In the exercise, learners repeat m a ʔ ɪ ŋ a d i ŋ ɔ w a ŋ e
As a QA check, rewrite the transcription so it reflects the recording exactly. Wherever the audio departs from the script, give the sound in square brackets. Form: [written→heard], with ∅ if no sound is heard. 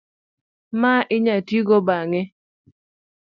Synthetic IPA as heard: m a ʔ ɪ [ŋ→ɲ] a [d→t] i [ŋ→ɡ] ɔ [w→b] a ŋ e